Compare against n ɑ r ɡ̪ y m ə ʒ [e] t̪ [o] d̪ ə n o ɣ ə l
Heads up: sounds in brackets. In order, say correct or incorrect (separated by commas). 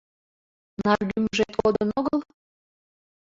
correct, correct